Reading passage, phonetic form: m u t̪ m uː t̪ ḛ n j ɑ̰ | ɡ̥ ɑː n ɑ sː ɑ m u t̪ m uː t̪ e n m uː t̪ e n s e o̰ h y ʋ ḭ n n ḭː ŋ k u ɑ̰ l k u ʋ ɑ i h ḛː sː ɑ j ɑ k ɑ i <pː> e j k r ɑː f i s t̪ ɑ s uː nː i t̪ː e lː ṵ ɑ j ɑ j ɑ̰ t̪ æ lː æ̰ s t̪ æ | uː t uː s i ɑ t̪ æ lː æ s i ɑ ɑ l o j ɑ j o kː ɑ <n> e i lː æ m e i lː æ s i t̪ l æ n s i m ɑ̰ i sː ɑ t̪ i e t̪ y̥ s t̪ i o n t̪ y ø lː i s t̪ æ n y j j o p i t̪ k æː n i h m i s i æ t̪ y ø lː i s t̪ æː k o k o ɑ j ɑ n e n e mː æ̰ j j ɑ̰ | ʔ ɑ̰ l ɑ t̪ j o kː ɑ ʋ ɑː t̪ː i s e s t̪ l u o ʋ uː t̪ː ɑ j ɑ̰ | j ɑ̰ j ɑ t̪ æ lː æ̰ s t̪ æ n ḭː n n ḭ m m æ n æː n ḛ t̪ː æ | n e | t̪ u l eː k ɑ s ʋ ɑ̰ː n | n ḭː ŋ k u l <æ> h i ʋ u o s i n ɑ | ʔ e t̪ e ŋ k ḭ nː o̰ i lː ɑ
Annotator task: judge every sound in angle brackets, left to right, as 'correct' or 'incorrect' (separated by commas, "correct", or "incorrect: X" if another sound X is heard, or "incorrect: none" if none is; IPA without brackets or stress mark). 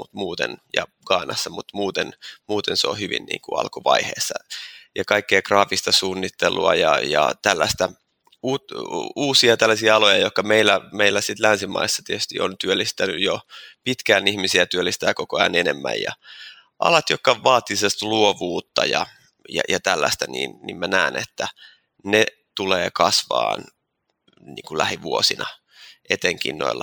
incorrect: kː, incorrect: m, correct